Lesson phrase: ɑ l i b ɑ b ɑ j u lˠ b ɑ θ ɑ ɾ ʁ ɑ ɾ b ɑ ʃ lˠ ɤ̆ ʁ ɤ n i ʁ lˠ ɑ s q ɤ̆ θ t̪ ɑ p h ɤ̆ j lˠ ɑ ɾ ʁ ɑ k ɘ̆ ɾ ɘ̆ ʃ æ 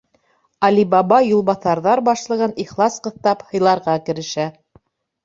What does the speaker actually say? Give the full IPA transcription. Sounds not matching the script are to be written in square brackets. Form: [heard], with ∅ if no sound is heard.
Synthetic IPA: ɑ l i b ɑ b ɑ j u lˠ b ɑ θ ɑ ɾ [ð] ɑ ɾ b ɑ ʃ lˠ ɤ̆ ʁ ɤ n i [χ] lˠ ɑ s q ɤ̆ θ t̪ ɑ p h ɤ̆ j lˠ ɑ ɾ ʁ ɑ k ɘ̆ ɾ ɘ̆ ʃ æ